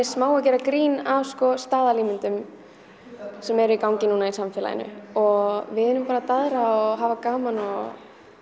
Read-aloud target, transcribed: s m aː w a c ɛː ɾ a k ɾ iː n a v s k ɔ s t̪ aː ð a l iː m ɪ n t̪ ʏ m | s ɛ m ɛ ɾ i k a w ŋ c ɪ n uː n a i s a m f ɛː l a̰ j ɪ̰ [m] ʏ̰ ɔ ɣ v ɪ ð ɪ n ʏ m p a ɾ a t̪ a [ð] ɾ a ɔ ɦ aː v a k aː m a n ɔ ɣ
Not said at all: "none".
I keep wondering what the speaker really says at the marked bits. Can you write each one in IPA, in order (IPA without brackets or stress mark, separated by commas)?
n, ð